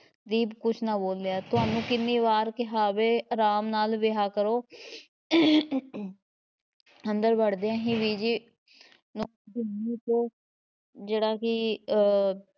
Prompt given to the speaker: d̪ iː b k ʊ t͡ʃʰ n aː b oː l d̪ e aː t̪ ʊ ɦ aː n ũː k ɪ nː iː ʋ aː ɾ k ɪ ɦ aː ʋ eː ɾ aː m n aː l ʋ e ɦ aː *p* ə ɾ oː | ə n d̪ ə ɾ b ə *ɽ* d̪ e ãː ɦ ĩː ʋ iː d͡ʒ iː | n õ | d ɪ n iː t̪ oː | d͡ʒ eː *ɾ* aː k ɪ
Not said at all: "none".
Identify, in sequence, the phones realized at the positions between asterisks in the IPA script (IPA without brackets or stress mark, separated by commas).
k, ɽ, ɽ